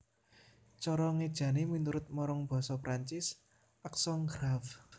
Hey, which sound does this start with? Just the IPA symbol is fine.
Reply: t͡ʃ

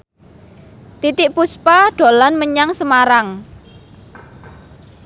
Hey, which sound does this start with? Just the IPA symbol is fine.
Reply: t̪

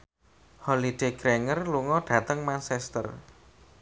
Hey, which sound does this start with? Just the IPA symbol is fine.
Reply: h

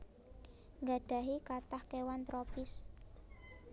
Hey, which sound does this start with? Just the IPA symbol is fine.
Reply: ŋ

